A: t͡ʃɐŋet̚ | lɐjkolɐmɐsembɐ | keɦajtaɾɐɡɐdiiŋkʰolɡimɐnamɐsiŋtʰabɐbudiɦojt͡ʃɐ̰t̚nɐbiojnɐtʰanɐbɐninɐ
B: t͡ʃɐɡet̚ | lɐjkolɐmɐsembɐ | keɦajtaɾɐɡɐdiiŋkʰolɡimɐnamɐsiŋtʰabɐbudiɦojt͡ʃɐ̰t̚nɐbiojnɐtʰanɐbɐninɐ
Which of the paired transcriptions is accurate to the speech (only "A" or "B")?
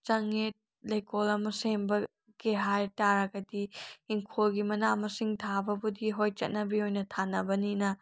A